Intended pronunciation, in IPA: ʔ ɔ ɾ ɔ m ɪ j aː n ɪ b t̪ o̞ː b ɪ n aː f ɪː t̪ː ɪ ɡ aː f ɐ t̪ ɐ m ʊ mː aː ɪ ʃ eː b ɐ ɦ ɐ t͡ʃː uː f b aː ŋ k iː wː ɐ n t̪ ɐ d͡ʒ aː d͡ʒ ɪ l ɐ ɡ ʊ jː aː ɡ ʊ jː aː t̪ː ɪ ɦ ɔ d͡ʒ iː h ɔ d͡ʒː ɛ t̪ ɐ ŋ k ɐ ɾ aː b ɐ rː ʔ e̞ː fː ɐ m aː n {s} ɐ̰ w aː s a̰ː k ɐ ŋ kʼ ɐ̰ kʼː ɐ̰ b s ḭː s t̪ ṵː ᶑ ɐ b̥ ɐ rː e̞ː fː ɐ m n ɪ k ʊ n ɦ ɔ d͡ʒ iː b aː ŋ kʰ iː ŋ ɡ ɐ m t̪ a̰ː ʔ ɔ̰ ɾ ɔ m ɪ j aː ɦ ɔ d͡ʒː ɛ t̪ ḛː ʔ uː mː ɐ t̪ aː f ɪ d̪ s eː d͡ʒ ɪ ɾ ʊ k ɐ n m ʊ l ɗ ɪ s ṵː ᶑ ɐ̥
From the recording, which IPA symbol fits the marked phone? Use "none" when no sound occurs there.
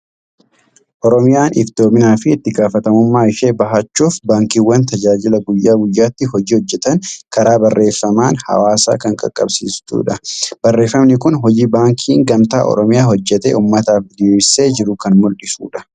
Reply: h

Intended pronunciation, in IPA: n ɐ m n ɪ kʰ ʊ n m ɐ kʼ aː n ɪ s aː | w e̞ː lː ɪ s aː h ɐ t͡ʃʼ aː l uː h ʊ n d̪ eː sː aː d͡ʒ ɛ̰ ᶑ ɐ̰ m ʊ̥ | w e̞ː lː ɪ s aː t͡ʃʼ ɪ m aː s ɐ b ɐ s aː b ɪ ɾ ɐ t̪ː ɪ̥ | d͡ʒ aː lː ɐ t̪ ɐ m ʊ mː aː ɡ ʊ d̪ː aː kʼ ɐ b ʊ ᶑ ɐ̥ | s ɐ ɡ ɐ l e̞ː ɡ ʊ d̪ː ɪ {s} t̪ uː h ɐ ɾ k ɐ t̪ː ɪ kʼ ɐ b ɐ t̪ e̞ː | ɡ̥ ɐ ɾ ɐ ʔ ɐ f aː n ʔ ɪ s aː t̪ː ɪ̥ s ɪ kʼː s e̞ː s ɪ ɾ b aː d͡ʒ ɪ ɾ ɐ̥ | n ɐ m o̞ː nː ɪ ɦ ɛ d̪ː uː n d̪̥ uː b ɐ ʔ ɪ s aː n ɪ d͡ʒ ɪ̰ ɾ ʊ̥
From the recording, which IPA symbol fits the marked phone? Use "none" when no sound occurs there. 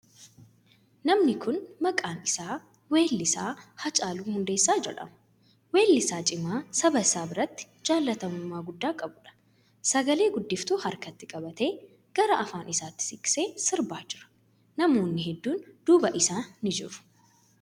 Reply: f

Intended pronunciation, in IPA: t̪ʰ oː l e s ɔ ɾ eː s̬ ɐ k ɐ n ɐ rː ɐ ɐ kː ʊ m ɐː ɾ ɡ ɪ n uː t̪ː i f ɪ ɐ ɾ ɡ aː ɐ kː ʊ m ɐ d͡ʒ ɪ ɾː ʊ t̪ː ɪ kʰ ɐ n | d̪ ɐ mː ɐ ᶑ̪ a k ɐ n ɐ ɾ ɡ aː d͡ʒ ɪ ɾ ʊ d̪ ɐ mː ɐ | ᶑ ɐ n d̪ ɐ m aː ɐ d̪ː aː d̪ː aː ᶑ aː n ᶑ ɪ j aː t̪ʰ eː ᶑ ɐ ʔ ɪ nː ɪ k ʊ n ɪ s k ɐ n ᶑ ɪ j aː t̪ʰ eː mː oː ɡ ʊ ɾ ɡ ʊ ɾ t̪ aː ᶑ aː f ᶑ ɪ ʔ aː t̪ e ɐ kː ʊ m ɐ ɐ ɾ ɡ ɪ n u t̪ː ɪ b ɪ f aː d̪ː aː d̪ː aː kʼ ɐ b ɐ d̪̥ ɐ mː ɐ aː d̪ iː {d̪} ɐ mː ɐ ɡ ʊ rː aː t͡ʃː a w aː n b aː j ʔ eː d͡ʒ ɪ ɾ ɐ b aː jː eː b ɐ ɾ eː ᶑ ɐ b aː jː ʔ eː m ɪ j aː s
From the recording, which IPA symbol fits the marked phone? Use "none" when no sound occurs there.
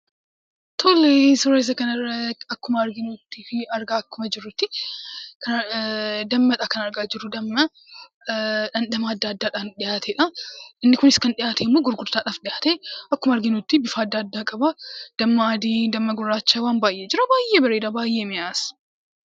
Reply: d̪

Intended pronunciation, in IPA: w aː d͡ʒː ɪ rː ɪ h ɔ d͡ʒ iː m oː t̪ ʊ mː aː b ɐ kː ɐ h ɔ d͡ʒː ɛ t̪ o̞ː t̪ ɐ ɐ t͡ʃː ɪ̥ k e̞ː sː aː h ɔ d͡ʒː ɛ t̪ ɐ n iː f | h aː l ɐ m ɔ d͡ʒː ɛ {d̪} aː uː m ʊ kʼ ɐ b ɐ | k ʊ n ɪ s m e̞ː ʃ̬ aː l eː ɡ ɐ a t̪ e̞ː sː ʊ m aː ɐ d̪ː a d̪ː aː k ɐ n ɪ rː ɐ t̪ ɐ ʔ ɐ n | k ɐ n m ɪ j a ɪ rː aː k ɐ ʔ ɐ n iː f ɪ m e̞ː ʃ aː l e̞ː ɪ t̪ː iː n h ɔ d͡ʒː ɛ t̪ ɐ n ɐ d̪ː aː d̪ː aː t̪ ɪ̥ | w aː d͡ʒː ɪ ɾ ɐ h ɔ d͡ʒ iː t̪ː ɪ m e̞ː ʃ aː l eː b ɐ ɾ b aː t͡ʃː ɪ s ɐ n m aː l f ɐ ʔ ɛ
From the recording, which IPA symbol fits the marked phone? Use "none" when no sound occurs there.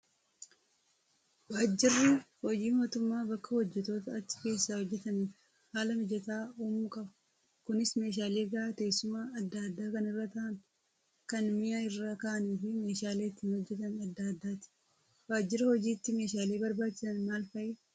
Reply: t̪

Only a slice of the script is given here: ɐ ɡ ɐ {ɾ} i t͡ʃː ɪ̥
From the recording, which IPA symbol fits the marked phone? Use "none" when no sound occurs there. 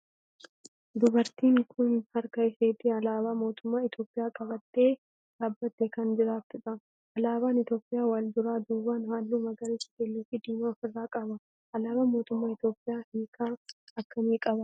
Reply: ɾ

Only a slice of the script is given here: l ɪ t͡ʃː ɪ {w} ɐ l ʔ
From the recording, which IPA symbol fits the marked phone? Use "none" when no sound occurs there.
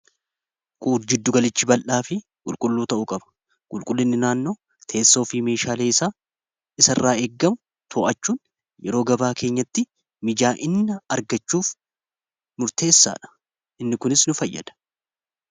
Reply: b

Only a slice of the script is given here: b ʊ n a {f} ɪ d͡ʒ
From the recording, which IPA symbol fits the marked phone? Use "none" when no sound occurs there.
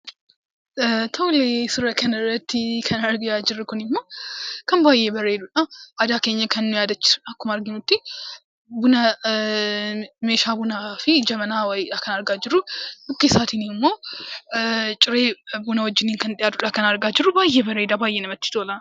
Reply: f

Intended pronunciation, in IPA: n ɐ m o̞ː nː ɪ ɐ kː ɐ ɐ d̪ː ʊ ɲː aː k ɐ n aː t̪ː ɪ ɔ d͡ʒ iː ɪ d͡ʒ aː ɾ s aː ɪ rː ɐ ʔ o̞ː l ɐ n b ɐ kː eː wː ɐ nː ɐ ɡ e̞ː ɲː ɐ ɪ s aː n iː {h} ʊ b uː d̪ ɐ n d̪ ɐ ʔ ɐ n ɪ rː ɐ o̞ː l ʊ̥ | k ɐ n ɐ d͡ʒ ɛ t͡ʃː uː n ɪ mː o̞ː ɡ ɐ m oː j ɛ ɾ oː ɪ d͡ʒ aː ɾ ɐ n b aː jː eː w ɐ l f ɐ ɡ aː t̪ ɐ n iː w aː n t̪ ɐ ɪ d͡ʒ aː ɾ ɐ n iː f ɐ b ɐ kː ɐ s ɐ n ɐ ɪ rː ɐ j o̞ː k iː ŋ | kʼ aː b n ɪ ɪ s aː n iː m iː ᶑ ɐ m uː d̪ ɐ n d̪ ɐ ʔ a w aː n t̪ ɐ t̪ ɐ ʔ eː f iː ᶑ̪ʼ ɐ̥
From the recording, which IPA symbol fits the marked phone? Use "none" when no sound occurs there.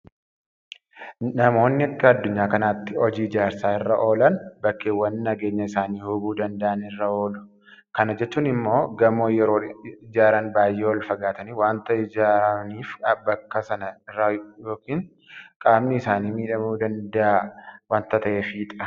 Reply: h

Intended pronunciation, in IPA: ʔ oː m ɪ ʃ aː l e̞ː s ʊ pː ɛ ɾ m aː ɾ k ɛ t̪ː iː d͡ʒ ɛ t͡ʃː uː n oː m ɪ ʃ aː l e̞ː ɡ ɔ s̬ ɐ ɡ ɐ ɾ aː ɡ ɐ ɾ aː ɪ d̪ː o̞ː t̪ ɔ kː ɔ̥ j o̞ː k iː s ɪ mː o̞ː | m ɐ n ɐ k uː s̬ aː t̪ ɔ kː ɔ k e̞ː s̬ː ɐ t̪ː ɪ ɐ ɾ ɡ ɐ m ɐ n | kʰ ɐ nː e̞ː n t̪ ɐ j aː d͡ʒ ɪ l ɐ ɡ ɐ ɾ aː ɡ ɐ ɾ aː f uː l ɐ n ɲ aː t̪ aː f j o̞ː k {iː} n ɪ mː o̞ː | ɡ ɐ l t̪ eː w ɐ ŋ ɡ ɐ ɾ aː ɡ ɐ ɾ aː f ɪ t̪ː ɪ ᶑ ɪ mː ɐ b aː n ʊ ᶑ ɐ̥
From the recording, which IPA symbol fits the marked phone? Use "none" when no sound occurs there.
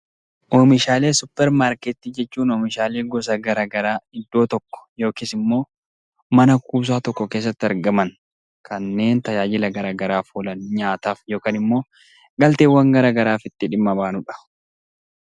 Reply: aː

